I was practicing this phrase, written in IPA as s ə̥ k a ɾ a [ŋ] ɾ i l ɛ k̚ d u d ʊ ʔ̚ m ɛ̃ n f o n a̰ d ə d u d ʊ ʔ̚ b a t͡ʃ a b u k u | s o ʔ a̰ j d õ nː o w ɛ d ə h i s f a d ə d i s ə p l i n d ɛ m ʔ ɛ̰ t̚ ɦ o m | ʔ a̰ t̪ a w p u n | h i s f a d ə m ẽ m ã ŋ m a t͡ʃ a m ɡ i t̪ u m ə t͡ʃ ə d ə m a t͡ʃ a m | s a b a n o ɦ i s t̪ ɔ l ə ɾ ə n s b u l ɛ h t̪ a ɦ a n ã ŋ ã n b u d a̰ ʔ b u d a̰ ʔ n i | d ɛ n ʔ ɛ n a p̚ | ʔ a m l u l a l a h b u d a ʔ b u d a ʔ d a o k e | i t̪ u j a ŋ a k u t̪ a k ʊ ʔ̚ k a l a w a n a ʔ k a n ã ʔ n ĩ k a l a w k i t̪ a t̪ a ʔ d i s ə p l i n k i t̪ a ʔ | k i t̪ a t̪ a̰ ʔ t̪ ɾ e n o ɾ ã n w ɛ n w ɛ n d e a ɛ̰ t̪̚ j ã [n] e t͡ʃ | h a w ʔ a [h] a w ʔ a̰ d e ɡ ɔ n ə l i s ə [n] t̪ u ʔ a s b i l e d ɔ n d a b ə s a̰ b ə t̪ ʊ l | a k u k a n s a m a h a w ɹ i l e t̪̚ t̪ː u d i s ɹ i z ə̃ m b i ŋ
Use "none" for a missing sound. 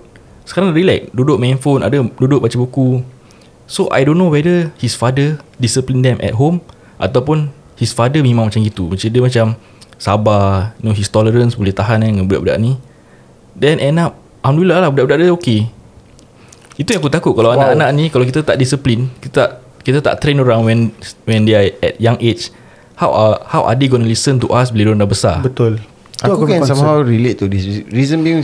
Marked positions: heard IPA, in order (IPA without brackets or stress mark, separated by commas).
ŋ, ŋ, h, n